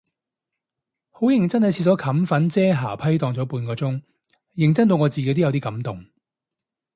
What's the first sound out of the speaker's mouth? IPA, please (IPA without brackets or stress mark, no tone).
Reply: h